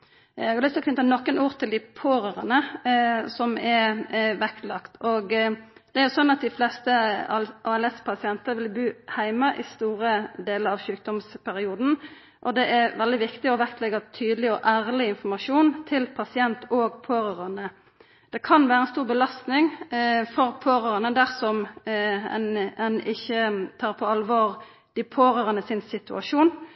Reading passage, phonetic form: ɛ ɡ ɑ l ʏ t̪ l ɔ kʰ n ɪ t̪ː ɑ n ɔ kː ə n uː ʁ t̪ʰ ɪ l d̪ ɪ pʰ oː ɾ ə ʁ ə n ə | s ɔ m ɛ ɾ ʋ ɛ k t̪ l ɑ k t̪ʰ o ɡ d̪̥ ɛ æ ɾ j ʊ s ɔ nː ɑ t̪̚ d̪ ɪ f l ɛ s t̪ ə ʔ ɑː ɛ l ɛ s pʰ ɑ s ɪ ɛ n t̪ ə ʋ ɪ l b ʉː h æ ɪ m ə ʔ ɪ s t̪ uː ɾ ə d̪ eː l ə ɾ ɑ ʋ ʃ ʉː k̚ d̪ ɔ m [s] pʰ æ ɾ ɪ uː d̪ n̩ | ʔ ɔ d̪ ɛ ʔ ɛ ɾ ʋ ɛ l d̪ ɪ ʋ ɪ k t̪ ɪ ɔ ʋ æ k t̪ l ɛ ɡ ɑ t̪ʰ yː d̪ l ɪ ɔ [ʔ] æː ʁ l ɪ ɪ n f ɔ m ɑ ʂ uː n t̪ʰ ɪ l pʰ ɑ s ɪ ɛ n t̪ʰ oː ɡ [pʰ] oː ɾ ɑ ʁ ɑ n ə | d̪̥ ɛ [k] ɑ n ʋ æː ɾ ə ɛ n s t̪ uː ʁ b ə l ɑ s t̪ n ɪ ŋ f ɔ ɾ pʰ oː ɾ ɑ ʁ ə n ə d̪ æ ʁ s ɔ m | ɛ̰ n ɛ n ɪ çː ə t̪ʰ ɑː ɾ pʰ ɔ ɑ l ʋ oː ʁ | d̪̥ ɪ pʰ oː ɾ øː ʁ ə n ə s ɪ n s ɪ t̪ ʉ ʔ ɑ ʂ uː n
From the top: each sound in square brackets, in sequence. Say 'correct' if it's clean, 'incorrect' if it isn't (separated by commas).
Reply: correct, correct, correct, incorrect